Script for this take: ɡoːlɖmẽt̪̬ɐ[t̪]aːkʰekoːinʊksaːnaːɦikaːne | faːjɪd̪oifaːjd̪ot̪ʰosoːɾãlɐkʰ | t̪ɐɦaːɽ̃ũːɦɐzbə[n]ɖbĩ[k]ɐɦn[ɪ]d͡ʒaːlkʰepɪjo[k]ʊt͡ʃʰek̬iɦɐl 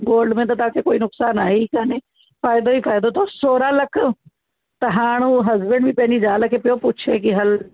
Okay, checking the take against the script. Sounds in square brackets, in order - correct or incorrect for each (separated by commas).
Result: correct, incorrect, incorrect, incorrect, incorrect